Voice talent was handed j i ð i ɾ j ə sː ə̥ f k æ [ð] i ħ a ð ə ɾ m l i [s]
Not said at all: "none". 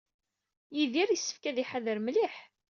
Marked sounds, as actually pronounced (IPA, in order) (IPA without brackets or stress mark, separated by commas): ð, ħ